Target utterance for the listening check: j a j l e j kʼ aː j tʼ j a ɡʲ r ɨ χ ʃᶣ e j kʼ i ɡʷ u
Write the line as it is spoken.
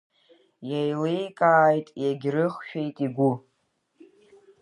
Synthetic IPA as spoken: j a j l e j kʼ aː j tʼ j a ɡʲ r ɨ χ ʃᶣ e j tʼ i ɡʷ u